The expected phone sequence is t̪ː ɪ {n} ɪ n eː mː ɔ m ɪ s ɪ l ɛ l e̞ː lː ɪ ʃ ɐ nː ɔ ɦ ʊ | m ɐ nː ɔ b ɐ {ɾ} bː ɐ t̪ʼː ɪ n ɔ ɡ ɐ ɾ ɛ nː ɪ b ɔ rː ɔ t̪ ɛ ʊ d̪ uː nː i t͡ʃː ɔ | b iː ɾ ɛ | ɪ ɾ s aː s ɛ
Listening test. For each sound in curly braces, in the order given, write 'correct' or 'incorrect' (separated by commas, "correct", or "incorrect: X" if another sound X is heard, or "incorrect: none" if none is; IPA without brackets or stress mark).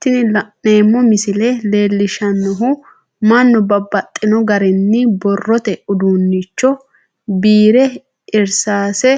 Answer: correct, incorrect: none